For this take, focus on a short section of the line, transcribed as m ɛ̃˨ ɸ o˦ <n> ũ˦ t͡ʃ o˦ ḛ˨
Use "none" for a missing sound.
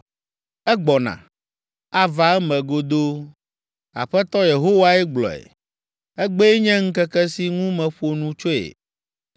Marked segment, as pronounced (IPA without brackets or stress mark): n